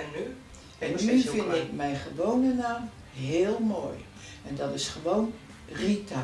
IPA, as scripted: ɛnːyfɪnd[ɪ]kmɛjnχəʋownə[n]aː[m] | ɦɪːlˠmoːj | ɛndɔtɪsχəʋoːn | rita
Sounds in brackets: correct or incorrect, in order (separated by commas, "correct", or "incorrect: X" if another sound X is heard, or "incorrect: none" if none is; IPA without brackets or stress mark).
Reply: correct, correct, correct